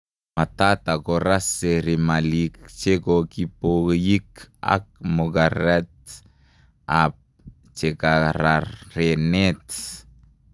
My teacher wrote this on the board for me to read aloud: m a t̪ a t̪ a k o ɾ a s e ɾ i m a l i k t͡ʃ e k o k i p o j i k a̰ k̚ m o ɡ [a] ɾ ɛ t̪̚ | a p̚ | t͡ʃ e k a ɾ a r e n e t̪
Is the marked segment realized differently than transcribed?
no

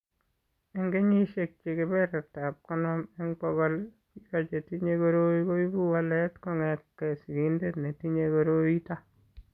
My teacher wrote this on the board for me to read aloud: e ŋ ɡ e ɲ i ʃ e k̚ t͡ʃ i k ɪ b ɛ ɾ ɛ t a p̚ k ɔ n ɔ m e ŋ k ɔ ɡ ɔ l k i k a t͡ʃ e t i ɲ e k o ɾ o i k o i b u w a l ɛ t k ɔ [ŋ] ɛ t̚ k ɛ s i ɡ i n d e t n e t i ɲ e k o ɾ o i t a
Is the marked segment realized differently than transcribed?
no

